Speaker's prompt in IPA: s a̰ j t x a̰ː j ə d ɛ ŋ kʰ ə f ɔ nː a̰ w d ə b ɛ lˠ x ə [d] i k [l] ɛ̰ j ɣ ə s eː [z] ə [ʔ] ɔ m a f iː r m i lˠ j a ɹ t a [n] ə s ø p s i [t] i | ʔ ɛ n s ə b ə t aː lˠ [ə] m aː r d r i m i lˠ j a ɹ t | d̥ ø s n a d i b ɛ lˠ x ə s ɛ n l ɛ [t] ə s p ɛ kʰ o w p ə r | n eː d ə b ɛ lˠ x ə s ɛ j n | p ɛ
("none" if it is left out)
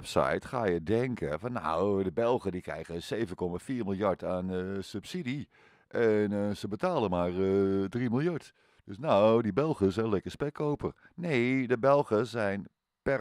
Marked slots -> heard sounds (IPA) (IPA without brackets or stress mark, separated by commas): d, r, v, k, n, d, ə, k